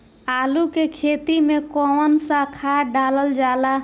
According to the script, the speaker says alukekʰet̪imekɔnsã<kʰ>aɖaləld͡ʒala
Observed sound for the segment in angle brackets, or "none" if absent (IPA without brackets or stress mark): kʰ